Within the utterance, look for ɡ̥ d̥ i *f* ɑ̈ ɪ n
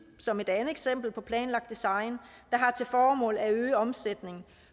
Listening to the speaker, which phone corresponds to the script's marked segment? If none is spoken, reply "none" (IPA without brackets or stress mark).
s